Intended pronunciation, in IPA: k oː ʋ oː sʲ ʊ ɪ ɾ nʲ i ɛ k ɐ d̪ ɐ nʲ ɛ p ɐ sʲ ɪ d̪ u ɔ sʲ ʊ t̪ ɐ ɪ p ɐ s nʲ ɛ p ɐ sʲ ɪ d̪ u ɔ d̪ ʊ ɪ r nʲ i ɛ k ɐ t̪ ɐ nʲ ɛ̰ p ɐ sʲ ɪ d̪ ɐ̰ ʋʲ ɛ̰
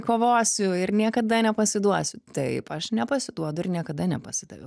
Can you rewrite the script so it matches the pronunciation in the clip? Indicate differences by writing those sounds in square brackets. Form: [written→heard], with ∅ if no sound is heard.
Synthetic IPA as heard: k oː ʋ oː sʲ ʊ ɪ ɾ nʲ i ɛ k ɐ d̪ ɐ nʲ ɛ p ɐ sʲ ɪ d̪ u ɔ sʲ ʊ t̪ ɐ ɪ p ɐ [s→ʃ] nʲ ɛ p ɐ sʲ ɪ d̪ u ɔ d̪ ʊ ɪ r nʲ i ɛ k ɐ [t̪→d̪] ɐ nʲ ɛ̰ p ɐ sʲ ɪ d̪ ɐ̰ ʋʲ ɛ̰